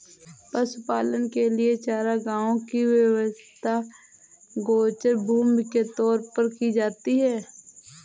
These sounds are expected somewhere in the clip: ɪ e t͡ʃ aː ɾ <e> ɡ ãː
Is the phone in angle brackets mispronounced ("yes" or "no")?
yes